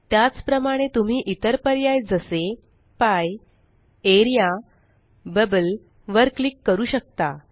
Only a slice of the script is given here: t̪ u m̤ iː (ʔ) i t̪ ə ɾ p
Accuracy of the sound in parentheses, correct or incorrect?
correct